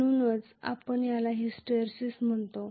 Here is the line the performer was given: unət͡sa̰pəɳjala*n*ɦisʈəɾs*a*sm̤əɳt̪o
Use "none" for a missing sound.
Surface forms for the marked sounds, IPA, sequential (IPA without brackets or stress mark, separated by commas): none, i